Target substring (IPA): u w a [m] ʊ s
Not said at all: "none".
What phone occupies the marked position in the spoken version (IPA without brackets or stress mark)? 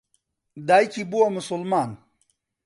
m